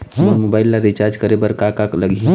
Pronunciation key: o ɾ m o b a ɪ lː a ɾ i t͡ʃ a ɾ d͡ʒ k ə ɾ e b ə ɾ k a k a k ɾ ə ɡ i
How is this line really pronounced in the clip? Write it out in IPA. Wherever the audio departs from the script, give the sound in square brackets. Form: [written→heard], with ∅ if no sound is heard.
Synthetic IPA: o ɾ m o b a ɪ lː a ɾ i t͡ʃ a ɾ d͡ʒ k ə ɾ e b ə ɾ k a k a k [ɾ→l] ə ɡ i